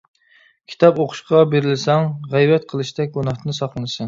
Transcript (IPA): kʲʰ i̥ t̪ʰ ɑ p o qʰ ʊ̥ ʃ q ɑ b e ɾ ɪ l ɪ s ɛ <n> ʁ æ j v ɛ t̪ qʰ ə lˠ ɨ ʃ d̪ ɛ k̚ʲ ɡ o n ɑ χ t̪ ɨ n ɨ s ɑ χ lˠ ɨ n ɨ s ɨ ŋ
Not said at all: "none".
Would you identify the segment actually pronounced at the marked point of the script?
ŋ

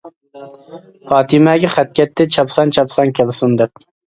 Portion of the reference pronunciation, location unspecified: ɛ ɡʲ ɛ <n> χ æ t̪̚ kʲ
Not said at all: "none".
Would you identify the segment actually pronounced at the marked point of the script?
none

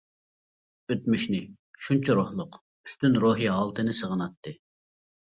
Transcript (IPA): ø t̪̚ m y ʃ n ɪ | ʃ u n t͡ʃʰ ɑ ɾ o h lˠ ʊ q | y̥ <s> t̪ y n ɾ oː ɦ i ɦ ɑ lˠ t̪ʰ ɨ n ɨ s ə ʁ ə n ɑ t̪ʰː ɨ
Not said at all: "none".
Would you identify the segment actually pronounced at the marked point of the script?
s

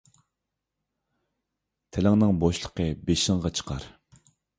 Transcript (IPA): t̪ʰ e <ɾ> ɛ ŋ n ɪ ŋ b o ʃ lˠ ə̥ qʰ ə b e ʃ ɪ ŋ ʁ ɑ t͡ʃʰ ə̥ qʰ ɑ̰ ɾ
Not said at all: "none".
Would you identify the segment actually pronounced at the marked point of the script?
l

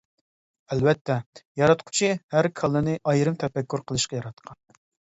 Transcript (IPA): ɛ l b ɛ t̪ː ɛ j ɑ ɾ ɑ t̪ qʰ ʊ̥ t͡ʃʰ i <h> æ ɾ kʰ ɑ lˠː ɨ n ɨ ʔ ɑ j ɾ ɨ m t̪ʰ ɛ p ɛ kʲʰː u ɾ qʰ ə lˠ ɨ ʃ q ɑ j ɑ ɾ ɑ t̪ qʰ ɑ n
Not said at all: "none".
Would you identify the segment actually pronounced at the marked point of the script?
h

